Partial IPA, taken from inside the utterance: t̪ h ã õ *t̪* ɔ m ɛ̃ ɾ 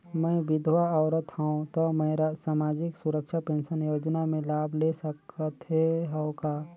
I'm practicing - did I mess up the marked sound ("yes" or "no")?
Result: no